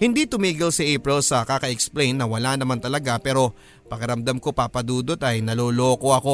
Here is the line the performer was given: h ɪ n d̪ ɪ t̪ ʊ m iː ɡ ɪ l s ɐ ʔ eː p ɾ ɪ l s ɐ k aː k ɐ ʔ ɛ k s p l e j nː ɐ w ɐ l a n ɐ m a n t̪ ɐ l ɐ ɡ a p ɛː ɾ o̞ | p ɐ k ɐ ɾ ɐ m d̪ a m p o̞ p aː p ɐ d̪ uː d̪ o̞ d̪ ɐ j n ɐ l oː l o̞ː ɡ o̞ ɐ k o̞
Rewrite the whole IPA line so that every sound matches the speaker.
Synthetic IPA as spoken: h ɪ n d̪ i t̪ ʊ m iː ɡ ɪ l s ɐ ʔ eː p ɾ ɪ l s ɐ k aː k ɐ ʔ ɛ k s p l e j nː ɐ w ɐ l a n ɐ m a n t̪ ɐ l ɐ ɡ a p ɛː ɾ o̞ | p ɐ k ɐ ɾ ɐ m d̪ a m k o̞ p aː p ɐ d̪ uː d̪ o̞ t̪ ɐ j n ɐ l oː l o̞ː k o̞ ɐ k o̞